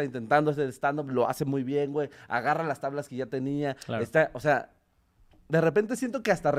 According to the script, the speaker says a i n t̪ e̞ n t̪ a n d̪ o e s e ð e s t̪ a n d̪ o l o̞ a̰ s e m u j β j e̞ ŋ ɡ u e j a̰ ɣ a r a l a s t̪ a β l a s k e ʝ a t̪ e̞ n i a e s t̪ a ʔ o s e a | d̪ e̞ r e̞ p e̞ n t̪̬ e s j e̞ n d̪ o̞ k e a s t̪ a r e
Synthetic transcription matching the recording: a i n t̪ e̞ n t̪ a n d̪ o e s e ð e s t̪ a n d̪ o l o̞ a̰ s e m u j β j e̞ ŋ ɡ w e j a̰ ɣ a r a l a s t̪ a β l a s k e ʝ a t̪ e̞ n i a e s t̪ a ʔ o s e a | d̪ e̞ r e̞ p e̞ n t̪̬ e s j e̞ n t̪ o̞ k e a s t̪ a r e